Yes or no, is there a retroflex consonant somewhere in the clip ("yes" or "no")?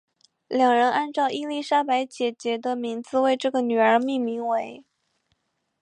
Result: yes